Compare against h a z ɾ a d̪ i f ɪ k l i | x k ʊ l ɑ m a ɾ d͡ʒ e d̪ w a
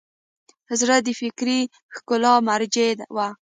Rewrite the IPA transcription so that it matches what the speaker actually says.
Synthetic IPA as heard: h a z ɾ a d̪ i f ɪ k ɾ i | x k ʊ l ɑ m a ɾ d͡ʒ e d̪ w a